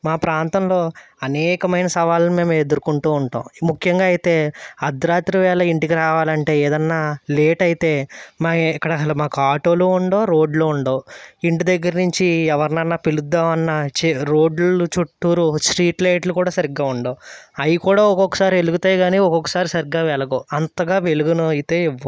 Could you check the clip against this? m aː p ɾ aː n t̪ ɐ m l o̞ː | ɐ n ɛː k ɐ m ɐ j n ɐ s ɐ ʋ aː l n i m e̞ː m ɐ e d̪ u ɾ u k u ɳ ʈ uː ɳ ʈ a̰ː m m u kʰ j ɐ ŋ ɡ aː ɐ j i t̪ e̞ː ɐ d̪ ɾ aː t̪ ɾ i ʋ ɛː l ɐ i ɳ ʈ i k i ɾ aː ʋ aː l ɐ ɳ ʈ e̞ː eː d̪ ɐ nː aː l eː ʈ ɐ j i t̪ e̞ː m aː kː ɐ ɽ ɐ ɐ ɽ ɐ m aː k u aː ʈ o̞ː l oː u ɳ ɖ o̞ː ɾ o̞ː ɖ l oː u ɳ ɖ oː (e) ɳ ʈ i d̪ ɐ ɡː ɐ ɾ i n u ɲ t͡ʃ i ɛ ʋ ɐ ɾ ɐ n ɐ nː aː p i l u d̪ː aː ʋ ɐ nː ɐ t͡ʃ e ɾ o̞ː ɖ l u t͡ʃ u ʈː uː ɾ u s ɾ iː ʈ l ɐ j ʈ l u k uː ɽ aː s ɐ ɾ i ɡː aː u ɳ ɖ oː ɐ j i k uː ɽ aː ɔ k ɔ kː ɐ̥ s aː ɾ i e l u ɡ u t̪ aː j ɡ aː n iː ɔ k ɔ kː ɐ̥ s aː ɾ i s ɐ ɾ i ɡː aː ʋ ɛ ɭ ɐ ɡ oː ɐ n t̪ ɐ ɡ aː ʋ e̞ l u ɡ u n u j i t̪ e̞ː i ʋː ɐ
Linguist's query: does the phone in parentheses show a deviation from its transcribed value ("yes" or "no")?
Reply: yes